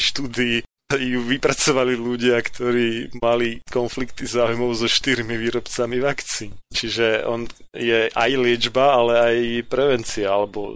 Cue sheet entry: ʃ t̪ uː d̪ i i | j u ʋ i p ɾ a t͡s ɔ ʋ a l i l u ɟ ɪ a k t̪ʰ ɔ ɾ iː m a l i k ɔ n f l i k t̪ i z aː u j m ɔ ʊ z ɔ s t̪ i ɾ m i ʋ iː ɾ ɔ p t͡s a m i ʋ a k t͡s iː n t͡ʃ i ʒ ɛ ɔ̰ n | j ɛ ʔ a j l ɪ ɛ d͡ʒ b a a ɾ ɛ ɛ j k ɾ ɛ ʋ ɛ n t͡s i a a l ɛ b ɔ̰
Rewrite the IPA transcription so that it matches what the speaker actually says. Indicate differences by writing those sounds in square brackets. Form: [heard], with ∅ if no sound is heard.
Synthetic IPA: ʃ t̪ uː d̪ i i | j u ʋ i p ɾ a t͡s ɔ ʋ a l i l u ɟ ɪ a k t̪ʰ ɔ ɾ iː m a l i k ɔ n f l i k t̪ i z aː u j m ɔ ʊ z ɔ [ʃ] t̪ i ɾ m i ʋ iː ɾ ɔ p t͡s a m i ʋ a k t͡s iː n t͡ʃ i ʒ ɛ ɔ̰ n | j ɛ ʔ a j l ɪ ɛ d͡ʒ b a a [l] ɛ [a] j [p] ɾ ɛ ʋ ɛ n t͡s i a a l ɛ b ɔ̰